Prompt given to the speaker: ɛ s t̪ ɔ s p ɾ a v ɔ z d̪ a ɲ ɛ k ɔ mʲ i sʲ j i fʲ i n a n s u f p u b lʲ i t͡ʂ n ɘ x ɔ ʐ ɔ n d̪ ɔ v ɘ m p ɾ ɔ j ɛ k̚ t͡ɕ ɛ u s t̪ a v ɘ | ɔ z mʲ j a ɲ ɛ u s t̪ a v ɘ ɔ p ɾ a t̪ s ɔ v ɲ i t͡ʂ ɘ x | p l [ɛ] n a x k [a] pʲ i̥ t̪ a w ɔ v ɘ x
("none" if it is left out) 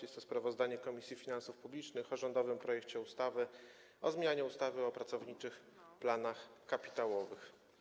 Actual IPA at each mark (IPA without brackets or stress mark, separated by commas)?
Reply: a, a